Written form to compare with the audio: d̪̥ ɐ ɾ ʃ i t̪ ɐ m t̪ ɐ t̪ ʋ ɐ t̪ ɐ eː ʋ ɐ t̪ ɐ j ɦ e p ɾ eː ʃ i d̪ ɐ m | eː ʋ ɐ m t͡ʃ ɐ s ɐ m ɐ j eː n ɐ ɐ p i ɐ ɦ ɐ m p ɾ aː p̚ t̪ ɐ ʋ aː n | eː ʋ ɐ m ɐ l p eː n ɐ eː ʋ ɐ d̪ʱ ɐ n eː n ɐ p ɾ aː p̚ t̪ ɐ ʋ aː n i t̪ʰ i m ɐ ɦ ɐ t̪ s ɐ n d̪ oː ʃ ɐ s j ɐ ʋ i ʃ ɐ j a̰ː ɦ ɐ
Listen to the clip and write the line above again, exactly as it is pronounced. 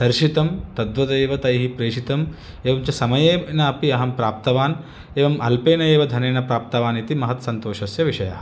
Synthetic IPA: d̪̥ ɐ ɾ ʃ i t̪ ɐ m t̪ ɐ d̪ ʋ ɐ t̪ ɐ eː ʋ ɐ t̪ ɐ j ɦ i p ɾ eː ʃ i t̪ ɐ m | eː ʋ ɐ m t͡ʃ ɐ s ɐ m ɐ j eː n ɐ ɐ p i ɐ ɦ ɐ m p ɾ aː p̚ t̪ ɐ ʋ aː n | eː ʋ ɐ m ɐ l p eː n ɐ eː ʋ ɐ d̪ʱ ɐ n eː n ɐ p ɾ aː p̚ t̪ ɐ ʋ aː n i t̪ i m ɐ ɦ ɐ t̪ s ɐ n t̪ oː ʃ ɐ s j ɐ ʋ i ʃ ɐ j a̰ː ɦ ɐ